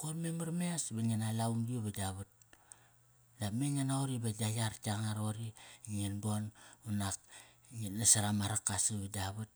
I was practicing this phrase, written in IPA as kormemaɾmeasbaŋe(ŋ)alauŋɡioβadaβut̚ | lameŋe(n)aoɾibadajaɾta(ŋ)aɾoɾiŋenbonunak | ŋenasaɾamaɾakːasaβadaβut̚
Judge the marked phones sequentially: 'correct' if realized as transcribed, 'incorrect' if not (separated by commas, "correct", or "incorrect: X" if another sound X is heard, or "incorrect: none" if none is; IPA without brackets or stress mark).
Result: incorrect: n, correct, correct